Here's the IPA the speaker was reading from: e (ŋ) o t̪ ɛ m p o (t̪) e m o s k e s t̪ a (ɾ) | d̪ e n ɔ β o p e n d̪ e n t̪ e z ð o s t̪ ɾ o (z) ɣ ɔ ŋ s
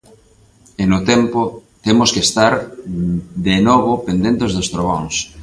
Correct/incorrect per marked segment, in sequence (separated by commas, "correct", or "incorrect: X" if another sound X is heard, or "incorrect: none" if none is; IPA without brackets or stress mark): incorrect: n, correct, correct, incorrect: none